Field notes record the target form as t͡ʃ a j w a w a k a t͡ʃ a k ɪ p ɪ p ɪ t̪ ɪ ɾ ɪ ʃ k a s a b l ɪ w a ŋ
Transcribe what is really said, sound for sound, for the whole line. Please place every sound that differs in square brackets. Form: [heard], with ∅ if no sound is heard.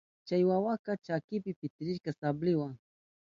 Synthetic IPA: t͡ʃ a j w a w a k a t͡ʃ a k ɪ p ɪ p ɪ t̪ ɪ ɾ ɪ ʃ k a s a b l ɪ w a ŋ